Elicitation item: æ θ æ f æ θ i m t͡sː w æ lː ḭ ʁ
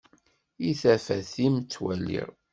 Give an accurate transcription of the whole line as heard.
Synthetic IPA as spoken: i θ æ f æ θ i m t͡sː w æ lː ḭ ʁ

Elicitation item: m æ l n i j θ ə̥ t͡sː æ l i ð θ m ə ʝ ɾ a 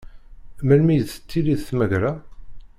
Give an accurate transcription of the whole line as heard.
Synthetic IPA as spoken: m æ l m i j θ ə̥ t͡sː i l i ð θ m ə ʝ ɾ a

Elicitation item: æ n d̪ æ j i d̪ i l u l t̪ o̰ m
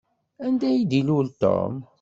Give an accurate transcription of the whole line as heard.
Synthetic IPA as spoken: æ n d̪ æ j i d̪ i l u l t̪ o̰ m

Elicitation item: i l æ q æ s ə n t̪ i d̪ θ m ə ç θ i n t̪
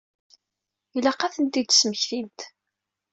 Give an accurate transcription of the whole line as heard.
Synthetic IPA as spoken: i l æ q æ θ ə n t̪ i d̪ s m ə ç θ i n t̪

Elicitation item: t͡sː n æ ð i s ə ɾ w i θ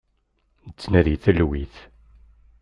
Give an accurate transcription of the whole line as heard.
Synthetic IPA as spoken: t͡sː n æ ð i θ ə l w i θ

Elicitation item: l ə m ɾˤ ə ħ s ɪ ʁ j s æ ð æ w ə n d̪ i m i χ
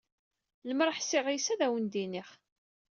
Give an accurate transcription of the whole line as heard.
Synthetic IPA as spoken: l ə m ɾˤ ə ħ s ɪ ʁ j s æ ð æ w ə n d̪ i n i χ

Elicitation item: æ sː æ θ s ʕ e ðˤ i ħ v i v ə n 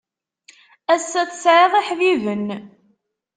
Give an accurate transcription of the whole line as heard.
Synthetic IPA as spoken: æ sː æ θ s ʕ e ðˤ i ħ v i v ə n

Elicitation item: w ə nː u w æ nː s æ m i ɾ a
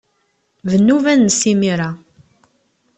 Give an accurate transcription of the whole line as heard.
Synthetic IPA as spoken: v ə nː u v æ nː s i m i ɾ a

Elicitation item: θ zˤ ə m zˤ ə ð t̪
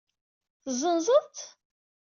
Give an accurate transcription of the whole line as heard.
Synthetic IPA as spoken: θ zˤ ə n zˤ ə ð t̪

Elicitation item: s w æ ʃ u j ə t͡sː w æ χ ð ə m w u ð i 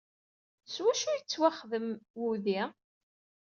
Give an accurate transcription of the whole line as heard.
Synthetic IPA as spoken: s w æ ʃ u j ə t͡sː w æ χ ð ə m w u ð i

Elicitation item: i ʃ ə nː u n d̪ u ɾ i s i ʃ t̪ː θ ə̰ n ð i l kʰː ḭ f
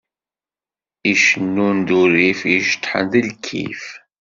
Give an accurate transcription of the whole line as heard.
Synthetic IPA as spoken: i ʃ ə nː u n d̪ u ɾ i f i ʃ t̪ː ħ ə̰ n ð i l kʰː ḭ f

